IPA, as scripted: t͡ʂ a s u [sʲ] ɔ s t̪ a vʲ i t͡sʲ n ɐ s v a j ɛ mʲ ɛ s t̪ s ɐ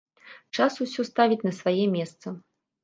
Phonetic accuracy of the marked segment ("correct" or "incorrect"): correct